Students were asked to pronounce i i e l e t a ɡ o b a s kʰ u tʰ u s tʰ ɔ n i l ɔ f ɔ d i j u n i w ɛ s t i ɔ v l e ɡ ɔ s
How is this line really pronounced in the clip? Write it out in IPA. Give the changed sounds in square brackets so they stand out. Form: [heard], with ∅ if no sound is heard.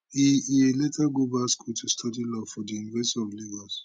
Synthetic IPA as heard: i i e l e t a ɡ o b a s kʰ u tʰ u s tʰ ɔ [d] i l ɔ f ɔ d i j u n i [v] ɛ s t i ɔ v l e ɡ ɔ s